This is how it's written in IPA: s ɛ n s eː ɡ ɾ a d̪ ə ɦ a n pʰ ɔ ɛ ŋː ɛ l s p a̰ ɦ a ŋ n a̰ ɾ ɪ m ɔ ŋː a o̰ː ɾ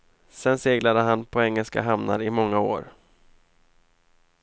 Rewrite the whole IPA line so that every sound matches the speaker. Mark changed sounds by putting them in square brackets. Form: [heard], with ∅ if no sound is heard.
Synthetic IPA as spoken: s ɛ n s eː ɡ [l] a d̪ ə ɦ a n pʰ ɔ ɛ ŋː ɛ l s [k] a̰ ɦ a [m] n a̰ ɾ ɪ m ɔ ŋː a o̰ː ɾ